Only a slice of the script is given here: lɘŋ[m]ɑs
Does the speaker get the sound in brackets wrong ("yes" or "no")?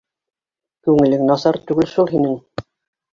yes